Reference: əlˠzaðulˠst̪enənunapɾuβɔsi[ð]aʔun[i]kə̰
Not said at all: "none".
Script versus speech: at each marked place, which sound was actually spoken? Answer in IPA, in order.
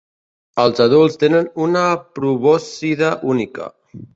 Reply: ð, i

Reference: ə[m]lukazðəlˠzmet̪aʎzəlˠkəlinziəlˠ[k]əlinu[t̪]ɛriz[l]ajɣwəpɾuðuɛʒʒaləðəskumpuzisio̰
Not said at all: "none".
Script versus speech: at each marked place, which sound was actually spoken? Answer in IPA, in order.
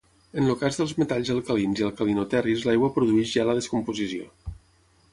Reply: n, k, t̪, l

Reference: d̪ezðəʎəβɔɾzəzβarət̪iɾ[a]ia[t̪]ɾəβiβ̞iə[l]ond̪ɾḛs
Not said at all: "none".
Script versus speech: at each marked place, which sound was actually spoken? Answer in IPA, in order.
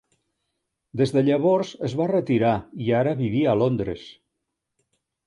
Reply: a, none, l

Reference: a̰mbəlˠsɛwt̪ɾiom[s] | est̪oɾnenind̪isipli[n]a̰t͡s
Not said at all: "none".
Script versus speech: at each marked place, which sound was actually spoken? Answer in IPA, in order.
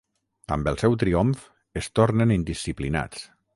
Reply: f, n

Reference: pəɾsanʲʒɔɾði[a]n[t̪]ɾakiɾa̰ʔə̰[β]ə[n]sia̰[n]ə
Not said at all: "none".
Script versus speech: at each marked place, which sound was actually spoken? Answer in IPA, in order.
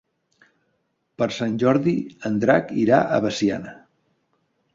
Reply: ə, d̪, β, none, n

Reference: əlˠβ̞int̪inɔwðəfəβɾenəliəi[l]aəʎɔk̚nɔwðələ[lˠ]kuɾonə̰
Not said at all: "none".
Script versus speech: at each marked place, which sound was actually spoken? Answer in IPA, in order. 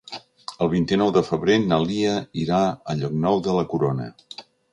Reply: ɾ, none

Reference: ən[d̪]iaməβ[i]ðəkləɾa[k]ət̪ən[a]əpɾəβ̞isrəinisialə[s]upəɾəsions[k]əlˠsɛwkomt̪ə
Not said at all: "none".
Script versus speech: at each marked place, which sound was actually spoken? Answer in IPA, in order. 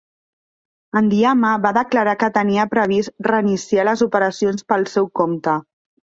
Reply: d̪, a, k, i, z, p

